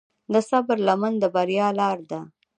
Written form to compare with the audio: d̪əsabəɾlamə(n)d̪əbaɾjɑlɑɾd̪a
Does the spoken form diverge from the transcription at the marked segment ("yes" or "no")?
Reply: no